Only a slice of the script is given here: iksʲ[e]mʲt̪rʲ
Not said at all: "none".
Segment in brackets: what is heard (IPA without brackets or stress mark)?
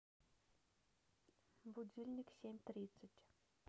e